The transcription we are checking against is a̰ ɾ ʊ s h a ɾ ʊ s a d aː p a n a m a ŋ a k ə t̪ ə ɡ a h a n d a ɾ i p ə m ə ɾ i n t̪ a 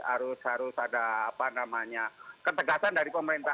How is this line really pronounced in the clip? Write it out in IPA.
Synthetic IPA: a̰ ɾ ʊ s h a ɾ ʊ s a d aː p a n a m a ɲ a k ə t̪ ə ɡ a s a n d a ɾ i p ə m ə ɾ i n t̪ a